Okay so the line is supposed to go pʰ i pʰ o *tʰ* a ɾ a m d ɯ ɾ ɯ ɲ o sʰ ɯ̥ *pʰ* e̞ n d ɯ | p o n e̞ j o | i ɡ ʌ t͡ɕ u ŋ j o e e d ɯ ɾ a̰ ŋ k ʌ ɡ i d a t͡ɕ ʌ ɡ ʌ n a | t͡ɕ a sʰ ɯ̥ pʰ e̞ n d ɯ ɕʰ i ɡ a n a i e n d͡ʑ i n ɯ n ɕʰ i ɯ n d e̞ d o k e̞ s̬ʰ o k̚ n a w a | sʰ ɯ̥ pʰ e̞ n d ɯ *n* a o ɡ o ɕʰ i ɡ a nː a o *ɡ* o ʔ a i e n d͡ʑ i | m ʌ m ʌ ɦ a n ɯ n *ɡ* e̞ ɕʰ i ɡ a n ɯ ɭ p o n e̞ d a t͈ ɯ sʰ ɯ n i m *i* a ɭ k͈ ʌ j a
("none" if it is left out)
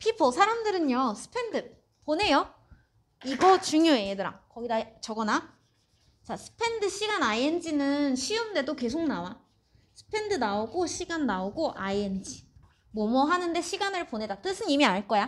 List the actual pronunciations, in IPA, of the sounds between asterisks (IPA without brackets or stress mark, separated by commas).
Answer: sʰ, pʰ, n, ɡ, d, i